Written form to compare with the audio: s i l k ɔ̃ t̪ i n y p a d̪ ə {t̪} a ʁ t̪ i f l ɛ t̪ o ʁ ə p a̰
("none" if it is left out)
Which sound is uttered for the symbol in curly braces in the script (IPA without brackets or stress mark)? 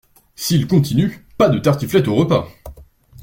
t̪